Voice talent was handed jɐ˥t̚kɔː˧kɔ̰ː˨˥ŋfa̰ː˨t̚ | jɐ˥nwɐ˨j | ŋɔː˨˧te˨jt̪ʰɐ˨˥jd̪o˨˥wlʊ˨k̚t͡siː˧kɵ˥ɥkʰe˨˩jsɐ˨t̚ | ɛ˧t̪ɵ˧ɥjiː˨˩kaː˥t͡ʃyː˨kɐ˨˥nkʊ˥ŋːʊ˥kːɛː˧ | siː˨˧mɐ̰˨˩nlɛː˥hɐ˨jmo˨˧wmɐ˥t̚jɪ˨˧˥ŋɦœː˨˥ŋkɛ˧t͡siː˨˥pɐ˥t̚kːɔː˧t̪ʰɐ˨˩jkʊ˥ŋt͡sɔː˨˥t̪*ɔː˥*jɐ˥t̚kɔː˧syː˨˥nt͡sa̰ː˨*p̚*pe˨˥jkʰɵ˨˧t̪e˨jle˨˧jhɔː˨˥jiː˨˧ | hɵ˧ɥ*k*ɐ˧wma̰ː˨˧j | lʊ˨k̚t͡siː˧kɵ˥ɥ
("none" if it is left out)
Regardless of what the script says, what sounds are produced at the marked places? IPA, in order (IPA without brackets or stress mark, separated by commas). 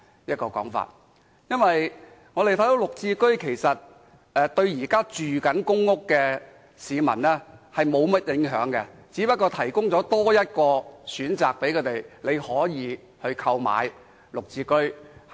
ɔː˥, k̚, kʰ